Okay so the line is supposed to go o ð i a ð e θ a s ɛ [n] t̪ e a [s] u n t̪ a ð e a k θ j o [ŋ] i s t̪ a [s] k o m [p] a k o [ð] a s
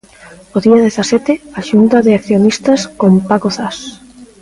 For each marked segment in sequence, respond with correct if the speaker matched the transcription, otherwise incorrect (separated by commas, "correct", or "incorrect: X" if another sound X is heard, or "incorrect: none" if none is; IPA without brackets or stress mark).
incorrect: none, incorrect: ʃ, incorrect: n, correct, correct, incorrect: θ